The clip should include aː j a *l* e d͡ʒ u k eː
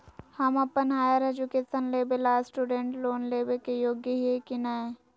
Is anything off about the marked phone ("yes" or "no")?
yes